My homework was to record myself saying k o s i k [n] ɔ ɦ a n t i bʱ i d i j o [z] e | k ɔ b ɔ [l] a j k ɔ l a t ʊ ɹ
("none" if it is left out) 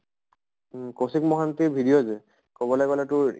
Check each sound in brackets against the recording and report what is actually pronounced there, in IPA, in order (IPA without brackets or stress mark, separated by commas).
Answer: m, z, l